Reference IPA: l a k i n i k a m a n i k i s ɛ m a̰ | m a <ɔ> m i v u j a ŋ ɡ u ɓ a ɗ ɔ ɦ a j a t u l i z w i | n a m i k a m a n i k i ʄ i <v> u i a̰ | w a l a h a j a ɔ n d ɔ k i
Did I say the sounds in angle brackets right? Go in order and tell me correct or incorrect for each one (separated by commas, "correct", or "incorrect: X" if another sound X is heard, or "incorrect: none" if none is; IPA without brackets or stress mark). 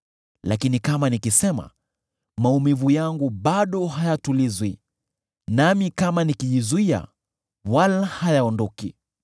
incorrect: u, incorrect: z